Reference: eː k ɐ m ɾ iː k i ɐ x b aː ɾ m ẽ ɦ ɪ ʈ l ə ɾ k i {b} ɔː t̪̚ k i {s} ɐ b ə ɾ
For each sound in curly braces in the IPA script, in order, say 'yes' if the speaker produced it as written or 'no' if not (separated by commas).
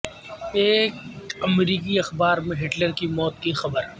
no, no